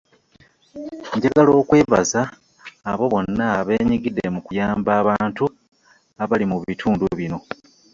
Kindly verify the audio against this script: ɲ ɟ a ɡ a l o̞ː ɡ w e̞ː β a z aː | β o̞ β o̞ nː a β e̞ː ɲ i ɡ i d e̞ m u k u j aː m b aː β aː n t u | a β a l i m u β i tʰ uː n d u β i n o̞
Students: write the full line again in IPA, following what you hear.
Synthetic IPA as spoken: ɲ ɟ a ɡ a l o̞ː k w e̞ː β a z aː | β o̞ β o̞ nː a β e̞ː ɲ i ɡ i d e̞ m u k u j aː m b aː β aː n t u | a β a l i m u β i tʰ uː n d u β i n o̞